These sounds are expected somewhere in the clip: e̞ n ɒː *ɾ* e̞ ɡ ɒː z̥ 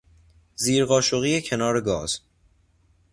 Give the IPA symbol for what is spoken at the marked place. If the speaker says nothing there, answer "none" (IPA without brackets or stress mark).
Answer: ɾ